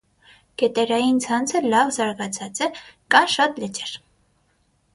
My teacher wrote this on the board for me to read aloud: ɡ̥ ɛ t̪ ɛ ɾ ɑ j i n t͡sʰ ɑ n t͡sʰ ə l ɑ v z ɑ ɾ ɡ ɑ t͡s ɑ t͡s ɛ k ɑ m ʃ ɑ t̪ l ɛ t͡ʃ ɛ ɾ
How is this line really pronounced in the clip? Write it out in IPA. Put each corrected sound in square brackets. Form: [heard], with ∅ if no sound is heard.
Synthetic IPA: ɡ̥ ɛ t̪ ɛ ɾ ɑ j i n t͡sʰ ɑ n t͡sʰ ə l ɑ v z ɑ ɾ ɡ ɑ [t͡sʰ] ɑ t͡s ɛ k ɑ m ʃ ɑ t̪ l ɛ t͡ʃ ɛ ɾ